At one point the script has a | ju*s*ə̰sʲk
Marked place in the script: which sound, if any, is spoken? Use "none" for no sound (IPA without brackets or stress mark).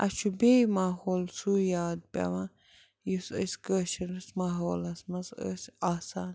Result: s